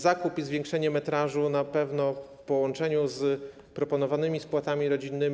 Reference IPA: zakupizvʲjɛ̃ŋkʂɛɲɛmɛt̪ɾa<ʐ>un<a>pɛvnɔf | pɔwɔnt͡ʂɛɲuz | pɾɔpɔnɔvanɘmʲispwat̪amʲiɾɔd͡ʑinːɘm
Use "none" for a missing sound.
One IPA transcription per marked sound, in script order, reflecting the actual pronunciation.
ʐ, a

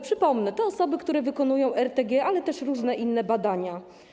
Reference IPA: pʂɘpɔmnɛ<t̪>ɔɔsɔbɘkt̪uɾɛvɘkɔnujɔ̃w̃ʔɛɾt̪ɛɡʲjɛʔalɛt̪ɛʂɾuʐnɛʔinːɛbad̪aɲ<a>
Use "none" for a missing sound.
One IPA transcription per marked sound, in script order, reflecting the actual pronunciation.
t̪, a

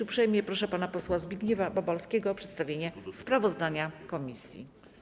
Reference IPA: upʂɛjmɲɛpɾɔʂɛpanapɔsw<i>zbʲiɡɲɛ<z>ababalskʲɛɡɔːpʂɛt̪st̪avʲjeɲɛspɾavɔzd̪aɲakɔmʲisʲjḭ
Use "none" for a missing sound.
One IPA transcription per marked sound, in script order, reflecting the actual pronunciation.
a, v

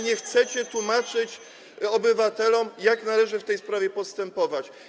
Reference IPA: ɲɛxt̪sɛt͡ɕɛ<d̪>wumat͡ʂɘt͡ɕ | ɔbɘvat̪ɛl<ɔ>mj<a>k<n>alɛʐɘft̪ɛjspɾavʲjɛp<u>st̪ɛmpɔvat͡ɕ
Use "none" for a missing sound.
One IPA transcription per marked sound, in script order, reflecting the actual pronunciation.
t̪, ɔ, a, n, ɔ

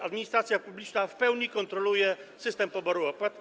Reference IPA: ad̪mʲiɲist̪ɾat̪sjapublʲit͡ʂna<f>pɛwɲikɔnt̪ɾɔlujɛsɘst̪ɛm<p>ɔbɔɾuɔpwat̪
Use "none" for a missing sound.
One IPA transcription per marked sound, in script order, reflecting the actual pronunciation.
f, p

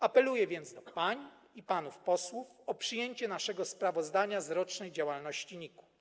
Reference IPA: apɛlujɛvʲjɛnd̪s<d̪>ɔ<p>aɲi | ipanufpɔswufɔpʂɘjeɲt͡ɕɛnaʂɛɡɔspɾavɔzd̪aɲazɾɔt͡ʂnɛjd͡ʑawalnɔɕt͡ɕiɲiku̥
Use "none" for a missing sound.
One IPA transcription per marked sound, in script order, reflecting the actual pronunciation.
d̪, p

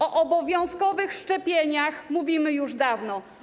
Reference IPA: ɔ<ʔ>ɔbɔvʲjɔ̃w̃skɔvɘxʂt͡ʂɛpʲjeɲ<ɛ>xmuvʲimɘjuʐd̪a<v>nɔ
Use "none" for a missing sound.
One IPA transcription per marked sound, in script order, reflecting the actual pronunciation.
ʔ, a, v

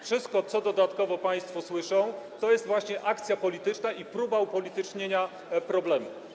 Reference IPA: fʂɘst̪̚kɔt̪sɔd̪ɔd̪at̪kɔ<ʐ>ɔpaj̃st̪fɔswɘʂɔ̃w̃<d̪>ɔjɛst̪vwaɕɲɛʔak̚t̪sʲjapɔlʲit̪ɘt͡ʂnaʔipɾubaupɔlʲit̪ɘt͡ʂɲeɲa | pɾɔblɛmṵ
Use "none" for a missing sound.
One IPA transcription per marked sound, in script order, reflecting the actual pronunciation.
v, t̪

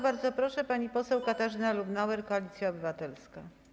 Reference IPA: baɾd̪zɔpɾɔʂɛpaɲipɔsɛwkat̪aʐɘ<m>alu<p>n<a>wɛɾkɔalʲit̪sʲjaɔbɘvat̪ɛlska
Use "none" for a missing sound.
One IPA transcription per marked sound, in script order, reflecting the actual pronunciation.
n, b, a

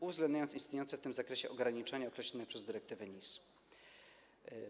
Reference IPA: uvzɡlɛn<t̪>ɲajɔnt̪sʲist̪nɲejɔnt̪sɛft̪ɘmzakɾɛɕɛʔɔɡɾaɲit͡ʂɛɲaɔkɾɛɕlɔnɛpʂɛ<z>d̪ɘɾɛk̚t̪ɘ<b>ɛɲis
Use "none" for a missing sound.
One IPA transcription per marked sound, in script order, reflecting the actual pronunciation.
d̪, z, v

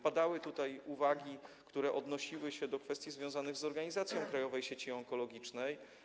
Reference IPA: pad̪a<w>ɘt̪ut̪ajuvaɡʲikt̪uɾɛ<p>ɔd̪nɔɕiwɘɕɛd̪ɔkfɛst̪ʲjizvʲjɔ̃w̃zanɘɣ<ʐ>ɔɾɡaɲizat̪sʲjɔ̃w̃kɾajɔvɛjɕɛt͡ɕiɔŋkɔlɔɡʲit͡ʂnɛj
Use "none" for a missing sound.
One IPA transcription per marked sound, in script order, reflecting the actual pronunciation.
w, ʔ, z

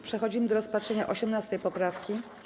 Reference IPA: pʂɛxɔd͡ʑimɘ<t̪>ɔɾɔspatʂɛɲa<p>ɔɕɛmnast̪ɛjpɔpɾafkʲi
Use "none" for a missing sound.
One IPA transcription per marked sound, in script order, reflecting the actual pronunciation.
d̪, ʔ

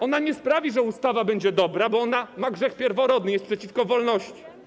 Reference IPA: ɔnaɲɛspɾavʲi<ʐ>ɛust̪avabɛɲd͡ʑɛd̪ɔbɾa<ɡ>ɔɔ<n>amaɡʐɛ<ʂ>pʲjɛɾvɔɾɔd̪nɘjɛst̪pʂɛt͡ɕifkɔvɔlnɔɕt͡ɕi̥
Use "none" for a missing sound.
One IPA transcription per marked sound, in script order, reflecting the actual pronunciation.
ʐ, b, n, x

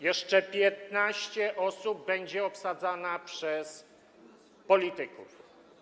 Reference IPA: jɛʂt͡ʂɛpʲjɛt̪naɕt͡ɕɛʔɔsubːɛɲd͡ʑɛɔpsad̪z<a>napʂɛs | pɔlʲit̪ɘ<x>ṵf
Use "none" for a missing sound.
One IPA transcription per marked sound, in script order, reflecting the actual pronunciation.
a, k

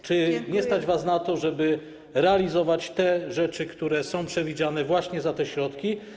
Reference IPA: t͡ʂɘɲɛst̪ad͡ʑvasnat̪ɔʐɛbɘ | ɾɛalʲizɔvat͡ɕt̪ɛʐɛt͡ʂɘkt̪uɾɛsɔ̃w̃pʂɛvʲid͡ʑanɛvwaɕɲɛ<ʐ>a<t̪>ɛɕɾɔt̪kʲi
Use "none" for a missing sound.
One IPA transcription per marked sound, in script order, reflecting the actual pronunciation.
z, t̪

